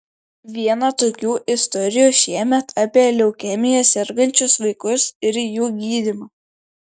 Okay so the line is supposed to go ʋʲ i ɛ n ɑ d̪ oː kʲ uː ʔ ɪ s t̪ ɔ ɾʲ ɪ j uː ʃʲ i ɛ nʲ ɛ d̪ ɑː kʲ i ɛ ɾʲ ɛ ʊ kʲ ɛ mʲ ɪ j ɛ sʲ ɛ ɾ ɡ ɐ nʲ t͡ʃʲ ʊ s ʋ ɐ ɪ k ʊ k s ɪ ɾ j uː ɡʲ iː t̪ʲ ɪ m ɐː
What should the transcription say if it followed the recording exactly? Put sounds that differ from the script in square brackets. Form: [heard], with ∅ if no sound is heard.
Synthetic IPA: ʋʲ i ɛ n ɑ [t̪] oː kʲ uː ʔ ɪ s t̪ ɔ ɾʲ ɪ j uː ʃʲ i ɛ [mʲ] ɛ [t̪] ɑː [pʲ] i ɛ [lʲ] ɛ ʊ kʲ ɛ mʲ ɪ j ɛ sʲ ɛ ɾ ɡ ɐ nʲ t͡ʃʲ ʊ s ʋ ɐ ɪ k ʊ [∅] s ɪ ɾ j uː ɡʲ iː [d̪ʲ] ɪ m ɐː